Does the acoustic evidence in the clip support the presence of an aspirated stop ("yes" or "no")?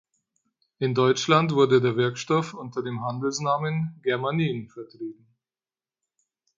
no